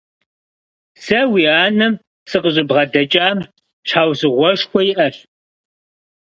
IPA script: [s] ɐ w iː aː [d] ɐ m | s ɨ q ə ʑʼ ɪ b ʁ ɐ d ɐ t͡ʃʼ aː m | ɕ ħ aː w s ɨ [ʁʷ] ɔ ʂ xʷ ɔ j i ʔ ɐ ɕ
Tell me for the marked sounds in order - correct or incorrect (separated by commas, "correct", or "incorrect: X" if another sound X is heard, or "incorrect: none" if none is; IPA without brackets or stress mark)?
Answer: correct, incorrect: n, correct